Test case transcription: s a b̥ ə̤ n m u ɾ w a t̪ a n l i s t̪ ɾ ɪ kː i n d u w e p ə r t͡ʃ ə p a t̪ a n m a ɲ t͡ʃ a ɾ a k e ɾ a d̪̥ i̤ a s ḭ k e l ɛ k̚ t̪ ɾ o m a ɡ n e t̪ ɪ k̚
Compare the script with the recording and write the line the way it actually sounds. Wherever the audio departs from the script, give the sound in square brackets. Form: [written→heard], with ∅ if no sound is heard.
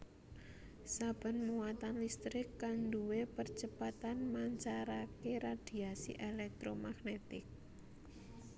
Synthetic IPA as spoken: s a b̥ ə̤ n m u [ɾ→∅] w a t̪ a n l i s t̪ ɾ ɪ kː [i→a] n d u w e p ə r t͡ʃ ə p a t̪ a n m a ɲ t͡ʃ a ɾ a k e ɾ a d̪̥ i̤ a s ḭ [k→ʔ] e l ɛ k̚ t̪ ɾ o m a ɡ n e t̪ ɪ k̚